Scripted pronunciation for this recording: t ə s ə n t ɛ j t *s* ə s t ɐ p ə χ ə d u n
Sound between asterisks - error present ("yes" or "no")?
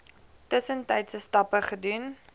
no